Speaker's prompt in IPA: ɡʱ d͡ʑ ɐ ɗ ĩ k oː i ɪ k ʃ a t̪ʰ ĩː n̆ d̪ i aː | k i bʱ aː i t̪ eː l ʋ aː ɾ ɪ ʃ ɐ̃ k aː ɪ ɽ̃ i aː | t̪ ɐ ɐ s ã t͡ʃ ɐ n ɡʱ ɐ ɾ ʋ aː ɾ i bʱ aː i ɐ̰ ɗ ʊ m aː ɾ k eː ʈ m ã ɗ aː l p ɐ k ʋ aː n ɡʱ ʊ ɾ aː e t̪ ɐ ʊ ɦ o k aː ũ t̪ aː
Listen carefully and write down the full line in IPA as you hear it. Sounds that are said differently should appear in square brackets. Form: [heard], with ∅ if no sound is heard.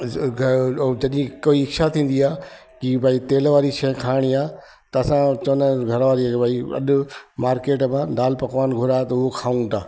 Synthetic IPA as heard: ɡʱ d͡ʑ ɐ ɗ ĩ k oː i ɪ k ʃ a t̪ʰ ĩː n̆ d̪ i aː | k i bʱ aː i t̪ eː l ʋ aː ɾ [i] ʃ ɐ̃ [kʰ] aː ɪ ɽ̃ i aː | t̪ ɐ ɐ s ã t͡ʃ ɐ n ɡʱ ɐ ɾ ʋ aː ɾ i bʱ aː i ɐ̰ ɗ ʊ m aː ɾ k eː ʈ m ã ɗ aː l p ɐ k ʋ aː n ɡʱ ʊ ɾ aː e t̪ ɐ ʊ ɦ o [kʰ] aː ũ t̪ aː